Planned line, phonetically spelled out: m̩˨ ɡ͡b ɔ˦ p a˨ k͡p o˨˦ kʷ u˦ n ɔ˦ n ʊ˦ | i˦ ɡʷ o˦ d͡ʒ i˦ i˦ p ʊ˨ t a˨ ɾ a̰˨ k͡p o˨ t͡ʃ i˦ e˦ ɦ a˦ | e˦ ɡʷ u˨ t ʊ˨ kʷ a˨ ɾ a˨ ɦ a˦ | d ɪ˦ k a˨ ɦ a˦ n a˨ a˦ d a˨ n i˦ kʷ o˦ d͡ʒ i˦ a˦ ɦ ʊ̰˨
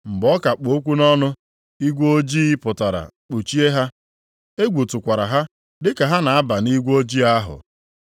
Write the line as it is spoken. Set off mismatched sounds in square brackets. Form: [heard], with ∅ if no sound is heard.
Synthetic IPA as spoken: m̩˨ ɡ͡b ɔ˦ [k] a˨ k͡p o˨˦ kʷ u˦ n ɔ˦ n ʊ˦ | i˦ ɡʷ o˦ d͡ʒ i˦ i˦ p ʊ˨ t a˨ ɾ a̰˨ k͡p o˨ t͡ʃ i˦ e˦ ɦ a˦ | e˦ ɡʷ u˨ t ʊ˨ kʷ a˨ ɾ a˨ ɦ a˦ | d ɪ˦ k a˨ ɦ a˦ n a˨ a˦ [b] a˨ n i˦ [ɡʷ] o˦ d͡ʒ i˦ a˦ ɦ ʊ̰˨